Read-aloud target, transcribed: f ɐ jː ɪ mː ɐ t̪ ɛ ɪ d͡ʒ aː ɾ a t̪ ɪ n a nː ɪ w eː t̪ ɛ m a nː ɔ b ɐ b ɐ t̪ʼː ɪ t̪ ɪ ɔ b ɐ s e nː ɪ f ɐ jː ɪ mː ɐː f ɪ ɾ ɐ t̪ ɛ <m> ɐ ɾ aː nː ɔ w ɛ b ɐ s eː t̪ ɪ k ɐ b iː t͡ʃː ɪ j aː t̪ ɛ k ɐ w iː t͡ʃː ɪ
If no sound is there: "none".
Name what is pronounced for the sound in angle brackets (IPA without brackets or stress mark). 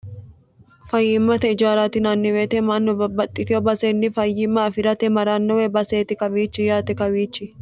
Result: m